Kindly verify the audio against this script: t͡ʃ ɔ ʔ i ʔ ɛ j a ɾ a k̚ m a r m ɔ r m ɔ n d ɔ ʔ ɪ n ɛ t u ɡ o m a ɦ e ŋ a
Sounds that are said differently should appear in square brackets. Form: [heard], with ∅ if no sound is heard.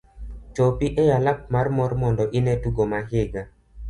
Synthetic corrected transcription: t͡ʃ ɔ [p] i ʔ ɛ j a [l] a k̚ m a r m ɔ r m ɔ n d ɔ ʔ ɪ n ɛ t u ɡ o m a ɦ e [ɡ] a